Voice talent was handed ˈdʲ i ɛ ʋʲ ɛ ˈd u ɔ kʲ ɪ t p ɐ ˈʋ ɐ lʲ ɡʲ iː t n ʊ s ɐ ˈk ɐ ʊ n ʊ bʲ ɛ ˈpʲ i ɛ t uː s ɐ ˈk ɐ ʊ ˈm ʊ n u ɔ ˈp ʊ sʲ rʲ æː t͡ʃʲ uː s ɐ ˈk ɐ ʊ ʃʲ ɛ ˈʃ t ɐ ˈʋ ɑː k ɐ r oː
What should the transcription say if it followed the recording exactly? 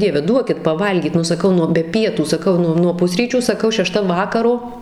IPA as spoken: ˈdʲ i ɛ ʋʲ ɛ ˈd u ɔ kʲ ɪ t p ɐ ˈʋ ɐ lʲ ɡʲ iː t n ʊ s ɐ ˈk ɐ ʊ n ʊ bʲ ɛ ˈpʲ i ɛ t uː s ɐ ˈk ɐ ʊ ˈn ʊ n u ɔ ˈp ʊ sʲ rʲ iː t͡ʃʲ uː s ɐ ˈk ɐ ʊ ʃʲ ɛ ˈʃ t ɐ ˈʋ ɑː k ɐ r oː